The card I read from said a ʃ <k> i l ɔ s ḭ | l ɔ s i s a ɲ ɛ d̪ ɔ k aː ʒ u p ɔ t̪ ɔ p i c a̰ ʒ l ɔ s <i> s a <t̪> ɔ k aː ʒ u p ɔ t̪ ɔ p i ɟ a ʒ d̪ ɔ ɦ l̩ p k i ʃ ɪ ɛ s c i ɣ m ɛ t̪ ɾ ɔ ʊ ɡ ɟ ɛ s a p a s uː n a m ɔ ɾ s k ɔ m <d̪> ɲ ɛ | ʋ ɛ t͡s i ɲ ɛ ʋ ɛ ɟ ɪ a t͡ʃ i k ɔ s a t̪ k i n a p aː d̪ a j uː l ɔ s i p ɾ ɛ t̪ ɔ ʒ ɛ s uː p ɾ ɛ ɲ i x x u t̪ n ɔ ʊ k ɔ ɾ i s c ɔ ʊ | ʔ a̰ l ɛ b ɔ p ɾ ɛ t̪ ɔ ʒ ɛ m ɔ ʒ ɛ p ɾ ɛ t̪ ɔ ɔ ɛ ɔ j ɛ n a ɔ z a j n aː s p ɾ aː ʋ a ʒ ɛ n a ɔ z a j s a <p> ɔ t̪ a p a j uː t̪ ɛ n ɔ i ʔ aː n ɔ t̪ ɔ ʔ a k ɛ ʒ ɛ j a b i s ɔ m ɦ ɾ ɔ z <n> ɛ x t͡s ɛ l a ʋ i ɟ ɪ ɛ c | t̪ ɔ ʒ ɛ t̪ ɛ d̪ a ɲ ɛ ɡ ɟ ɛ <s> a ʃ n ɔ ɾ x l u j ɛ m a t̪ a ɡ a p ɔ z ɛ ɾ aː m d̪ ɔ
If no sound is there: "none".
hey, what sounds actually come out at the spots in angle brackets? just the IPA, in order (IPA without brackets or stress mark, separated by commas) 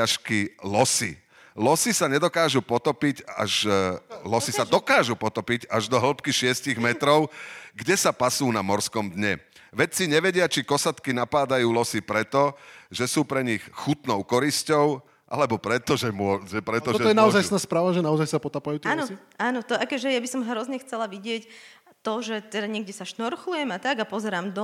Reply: k, i, d̪, d̪, p, ɲ, s